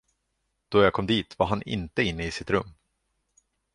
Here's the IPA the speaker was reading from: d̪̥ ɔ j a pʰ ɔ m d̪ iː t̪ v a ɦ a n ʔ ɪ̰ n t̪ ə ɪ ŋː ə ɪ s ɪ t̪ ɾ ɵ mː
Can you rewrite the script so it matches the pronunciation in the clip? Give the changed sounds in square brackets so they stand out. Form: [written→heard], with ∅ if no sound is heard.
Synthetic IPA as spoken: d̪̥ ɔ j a [pʰ→kʰ] ɔ m d̪ iː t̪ v a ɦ a n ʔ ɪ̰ n t̪ ə ɪ [ŋː→nː] ə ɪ s ɪ t̪ ɾ ɵ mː

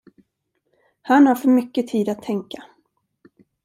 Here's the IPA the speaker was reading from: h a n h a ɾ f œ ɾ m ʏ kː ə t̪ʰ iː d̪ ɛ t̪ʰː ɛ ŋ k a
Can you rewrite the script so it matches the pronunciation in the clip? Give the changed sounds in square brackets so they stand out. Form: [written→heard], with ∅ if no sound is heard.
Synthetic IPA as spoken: h a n h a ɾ f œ ɾ m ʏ kː ə t̪ʰ iː d̪ [ɛ→a] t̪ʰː ɛ ŋ k a

